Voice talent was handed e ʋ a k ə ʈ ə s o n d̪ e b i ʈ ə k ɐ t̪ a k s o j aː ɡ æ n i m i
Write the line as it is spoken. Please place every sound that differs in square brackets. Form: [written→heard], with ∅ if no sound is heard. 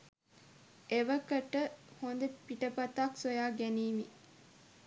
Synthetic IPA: e ʋ [a→ə] k ə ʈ ə [s→h] o n d̪ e [b→p] i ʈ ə [k→p] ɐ t̪ a k s o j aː ɡ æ n [i→iː] m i